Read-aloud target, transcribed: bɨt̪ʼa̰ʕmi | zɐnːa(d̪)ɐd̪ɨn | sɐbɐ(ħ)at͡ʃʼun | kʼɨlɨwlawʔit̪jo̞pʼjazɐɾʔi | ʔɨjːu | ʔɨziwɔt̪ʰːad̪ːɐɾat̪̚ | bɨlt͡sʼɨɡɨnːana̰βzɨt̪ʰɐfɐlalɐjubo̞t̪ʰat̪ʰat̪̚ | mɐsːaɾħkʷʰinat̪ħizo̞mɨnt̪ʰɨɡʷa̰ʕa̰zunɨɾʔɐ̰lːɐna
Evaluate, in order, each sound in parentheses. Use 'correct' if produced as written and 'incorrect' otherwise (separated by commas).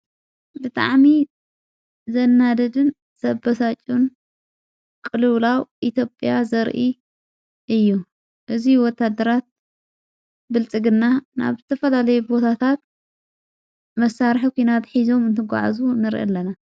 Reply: correct, incorrect